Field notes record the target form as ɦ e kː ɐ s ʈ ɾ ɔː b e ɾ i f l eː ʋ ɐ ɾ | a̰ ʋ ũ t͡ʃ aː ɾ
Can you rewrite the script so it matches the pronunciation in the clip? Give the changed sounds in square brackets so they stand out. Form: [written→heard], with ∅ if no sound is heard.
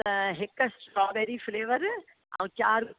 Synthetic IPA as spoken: ɦ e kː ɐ s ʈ ɾ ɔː b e ɾ i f l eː ʋ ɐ ɾ | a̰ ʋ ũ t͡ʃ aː ɾ